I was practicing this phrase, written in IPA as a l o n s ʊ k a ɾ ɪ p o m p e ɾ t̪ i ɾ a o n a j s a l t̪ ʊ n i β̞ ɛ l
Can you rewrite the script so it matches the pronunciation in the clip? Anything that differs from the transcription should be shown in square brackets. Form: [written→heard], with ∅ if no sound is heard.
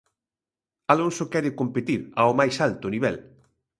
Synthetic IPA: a l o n s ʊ k [a→ɛ] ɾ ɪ [p→k] o m p e [ɾ→∅] t̪ i ɾ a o [n→m] a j s a l t̪ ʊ n i β̞ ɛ l